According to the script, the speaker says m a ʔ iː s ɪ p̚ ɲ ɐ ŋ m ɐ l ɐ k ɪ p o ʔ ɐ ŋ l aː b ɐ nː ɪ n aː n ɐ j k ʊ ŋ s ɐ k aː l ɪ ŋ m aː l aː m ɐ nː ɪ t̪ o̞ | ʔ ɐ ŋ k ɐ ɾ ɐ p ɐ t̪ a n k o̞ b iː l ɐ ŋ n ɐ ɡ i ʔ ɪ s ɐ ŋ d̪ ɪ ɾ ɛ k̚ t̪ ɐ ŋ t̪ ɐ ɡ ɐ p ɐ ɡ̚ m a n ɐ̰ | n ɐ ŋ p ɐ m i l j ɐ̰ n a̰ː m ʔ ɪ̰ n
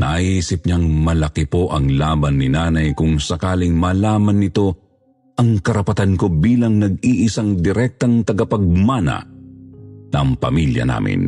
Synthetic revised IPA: n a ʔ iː s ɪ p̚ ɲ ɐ ŋ m ɐ l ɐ k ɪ p o ʔ ɐ ŋ l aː b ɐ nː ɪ n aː n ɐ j k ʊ ŋ s ɐ k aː l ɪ ŋ m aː l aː m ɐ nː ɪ t̪ o̞ | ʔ ɐ ŋ k ɐ ɾ ɐ p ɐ t̪ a n k o̞ b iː l ɐ ŋ n ɐ ɡ i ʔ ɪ s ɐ ŋ d̪ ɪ ɾ ɛ k̚ t̪ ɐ ŋ t̪ ɐ ɡ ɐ p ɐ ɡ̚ m a n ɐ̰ | n ɐ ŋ p ɐ m i l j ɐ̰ n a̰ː m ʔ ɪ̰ n